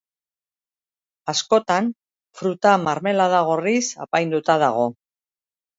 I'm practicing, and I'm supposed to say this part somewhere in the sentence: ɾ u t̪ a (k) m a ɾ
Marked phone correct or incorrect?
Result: incorrect